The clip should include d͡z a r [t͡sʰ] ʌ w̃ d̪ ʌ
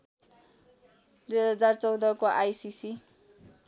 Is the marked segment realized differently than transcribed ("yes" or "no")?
yes